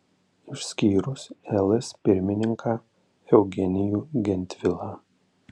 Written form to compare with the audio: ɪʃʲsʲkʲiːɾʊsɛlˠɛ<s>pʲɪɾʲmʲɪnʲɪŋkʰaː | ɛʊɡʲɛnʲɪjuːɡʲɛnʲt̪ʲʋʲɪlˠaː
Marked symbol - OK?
yes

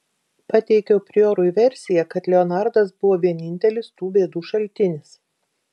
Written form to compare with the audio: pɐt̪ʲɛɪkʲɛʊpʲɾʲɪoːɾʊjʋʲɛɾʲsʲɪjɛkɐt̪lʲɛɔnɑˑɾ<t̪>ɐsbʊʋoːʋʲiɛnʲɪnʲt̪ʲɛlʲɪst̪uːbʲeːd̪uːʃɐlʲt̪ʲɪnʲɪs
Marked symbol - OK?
no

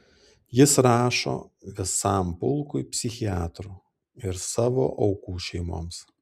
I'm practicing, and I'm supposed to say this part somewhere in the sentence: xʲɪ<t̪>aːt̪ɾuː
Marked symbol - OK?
no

